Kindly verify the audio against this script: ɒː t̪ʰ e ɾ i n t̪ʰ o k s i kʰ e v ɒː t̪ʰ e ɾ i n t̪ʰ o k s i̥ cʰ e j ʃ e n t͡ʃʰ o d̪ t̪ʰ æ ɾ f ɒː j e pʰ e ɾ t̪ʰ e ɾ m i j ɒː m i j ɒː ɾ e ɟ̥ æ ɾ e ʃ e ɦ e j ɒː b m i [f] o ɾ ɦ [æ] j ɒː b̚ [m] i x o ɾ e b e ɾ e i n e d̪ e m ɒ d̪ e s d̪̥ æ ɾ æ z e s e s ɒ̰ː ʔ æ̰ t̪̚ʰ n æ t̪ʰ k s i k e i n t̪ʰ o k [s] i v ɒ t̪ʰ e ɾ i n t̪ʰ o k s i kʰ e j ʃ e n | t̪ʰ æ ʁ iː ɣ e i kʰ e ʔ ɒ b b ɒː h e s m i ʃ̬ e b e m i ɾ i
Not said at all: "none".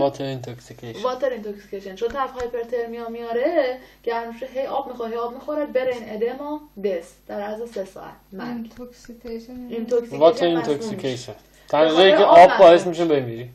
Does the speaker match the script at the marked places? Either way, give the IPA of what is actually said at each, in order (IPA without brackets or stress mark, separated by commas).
x, e, m, s